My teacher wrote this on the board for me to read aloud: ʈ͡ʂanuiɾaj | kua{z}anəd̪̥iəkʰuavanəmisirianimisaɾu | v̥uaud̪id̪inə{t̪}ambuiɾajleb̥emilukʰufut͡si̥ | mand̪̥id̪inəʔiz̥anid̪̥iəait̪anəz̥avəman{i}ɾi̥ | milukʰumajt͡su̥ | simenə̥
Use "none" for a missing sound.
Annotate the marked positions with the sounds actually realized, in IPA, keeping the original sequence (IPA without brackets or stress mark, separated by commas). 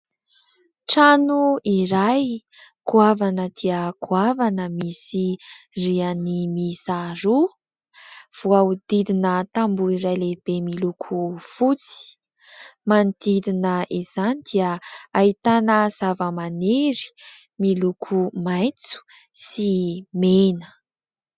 v, t̪, e